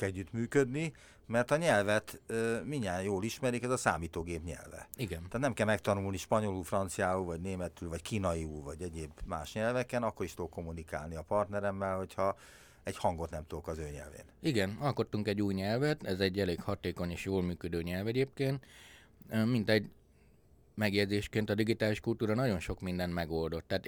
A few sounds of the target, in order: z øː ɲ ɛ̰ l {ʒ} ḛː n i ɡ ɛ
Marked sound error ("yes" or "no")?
yes